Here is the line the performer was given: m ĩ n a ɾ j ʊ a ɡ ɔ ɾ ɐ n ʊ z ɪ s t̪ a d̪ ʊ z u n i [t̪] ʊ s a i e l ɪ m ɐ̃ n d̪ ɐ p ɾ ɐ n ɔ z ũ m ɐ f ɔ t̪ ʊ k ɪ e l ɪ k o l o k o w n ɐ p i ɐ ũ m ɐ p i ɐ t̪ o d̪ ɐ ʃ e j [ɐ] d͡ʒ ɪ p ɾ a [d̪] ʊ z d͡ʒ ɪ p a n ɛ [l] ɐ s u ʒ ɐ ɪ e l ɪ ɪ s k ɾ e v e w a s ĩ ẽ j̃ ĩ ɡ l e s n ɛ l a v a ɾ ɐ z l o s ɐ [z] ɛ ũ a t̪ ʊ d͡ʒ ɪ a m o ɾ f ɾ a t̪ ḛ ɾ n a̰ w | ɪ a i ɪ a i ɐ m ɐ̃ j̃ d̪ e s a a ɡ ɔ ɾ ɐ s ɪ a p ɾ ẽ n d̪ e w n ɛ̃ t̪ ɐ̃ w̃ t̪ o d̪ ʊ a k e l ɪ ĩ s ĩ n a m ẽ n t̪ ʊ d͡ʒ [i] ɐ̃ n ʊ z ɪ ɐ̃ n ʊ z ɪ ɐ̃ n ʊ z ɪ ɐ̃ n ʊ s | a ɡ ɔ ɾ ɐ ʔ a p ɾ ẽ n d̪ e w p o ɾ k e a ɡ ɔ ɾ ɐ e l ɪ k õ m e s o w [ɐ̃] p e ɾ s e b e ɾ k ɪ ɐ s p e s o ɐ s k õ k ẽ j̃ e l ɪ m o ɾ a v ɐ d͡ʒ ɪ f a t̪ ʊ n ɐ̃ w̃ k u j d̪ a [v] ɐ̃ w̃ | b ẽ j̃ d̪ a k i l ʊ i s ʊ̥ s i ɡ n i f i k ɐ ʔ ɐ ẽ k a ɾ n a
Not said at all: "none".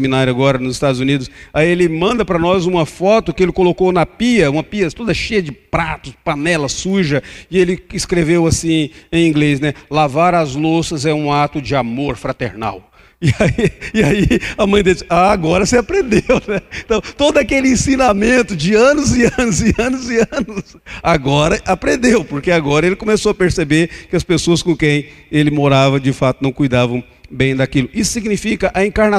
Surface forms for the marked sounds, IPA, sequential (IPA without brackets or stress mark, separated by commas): d̪, ɐ, t̪, l, z, ɪ, ɐ, v